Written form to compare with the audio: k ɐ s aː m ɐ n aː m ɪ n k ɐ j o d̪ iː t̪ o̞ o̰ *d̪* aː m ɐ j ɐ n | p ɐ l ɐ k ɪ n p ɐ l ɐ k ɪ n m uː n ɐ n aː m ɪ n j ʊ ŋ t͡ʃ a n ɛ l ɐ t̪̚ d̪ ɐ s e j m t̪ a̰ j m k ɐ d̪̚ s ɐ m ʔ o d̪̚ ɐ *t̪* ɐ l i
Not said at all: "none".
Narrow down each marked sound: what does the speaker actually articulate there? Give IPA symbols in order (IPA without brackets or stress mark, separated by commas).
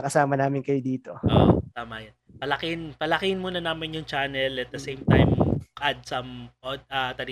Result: t̪, t̪